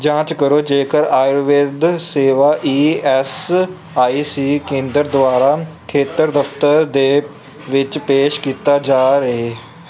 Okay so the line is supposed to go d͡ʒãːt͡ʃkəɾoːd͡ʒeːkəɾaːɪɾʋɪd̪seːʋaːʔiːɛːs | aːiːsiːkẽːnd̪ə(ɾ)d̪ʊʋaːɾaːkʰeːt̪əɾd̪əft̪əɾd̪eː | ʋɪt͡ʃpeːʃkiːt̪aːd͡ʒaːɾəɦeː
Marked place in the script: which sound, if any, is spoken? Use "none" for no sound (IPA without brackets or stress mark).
ɾ